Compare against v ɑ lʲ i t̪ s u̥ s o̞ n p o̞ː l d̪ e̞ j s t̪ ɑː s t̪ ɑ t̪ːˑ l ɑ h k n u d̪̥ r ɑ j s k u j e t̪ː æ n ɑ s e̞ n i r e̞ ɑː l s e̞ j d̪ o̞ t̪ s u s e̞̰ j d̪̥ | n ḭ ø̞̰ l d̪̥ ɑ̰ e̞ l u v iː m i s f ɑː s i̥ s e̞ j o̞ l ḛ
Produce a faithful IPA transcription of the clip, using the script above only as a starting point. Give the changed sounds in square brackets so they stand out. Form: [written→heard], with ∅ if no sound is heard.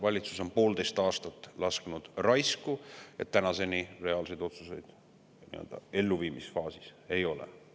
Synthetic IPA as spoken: v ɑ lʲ i t̪ s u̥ s o̞ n p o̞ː l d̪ e̞ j s t̪ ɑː s t̪ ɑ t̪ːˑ l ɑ [h→s] k n u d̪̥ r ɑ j s k u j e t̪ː æ n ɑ s e̞ n i r e̞ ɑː l s e̞ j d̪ o̞ t̪ s u s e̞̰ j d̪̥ | n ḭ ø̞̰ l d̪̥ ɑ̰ e̞ [l→lː] u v iː m i s f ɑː s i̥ s e̞ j o̞ l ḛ